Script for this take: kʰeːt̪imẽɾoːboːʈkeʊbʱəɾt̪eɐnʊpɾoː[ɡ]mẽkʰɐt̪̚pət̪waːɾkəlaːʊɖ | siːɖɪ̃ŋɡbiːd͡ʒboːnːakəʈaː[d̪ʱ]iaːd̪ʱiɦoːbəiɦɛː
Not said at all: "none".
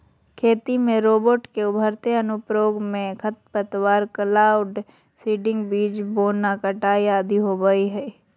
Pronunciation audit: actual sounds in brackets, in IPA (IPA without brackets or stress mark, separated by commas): ɡ, none